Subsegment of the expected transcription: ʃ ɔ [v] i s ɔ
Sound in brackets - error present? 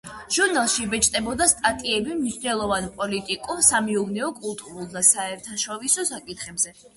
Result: no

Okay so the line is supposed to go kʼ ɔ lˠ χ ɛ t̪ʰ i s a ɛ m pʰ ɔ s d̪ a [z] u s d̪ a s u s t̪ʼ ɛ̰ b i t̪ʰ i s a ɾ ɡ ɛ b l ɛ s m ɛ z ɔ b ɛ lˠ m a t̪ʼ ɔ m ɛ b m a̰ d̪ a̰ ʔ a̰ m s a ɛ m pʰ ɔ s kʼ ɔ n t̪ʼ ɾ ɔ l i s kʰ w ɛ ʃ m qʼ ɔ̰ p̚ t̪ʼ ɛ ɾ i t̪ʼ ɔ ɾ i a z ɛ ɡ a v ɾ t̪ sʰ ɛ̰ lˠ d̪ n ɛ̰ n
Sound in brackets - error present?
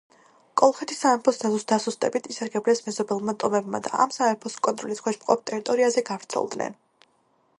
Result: no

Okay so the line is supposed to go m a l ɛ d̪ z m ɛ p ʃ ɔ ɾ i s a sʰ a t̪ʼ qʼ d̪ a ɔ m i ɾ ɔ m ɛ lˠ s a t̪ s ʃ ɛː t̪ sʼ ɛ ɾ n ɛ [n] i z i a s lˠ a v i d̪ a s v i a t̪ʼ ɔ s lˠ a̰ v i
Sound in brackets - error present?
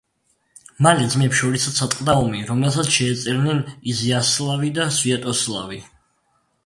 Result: no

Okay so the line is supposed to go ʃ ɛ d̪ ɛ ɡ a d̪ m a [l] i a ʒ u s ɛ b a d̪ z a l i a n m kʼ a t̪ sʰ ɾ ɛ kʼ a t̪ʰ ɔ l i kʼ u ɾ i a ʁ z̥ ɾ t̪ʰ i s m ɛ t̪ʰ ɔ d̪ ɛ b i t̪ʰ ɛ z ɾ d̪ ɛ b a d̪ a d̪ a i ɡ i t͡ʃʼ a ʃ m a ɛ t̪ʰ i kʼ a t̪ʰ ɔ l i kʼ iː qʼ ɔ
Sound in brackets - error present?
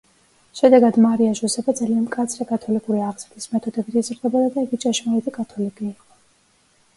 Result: yes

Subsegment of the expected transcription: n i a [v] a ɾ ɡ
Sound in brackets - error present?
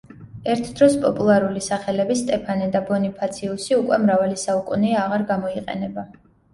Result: yes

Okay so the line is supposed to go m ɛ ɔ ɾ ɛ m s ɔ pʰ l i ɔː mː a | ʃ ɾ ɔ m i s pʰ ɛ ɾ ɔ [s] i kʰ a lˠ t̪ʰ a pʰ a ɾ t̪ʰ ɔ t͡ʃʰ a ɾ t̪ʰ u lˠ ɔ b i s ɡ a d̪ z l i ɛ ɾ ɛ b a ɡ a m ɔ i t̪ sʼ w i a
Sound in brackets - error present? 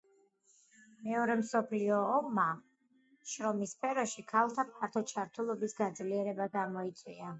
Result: yes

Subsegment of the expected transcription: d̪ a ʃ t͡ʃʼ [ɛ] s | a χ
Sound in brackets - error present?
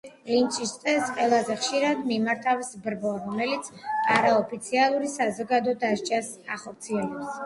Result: yes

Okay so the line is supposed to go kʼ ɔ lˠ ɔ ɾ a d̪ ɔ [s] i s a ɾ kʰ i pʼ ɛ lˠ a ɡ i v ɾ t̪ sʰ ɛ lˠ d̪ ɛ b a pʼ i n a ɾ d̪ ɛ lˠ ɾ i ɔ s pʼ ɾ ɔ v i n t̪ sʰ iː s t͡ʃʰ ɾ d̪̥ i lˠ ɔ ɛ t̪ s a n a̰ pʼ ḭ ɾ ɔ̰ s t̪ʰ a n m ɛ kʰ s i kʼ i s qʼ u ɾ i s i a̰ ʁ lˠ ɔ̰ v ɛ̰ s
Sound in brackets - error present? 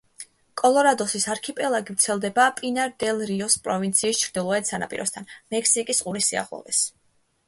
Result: no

